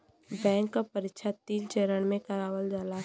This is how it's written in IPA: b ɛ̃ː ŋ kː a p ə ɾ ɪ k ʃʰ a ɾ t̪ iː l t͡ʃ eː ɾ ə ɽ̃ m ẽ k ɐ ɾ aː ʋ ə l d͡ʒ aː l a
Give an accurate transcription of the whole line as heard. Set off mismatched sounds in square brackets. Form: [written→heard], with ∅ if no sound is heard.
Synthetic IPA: b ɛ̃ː ŋ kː a p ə ɾ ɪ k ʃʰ a [ɾ→∅] t̪ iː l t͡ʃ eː ɾ ə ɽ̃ m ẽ k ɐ ɾ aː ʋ ə l d͡ʒ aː l a